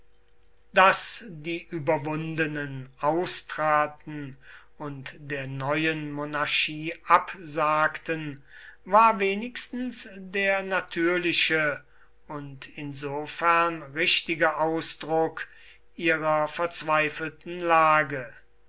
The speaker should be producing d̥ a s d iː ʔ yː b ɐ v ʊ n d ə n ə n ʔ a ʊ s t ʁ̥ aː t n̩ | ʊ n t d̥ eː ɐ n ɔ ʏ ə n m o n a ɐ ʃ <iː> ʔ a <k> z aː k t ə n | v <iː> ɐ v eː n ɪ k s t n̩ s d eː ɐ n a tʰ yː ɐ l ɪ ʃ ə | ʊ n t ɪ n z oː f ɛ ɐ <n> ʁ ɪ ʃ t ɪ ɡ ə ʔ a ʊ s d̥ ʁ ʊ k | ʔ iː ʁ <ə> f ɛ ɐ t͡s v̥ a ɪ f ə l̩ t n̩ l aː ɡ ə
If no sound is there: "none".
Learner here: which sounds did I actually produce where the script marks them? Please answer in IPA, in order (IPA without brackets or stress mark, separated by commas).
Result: iː, p, aː, n, ɐ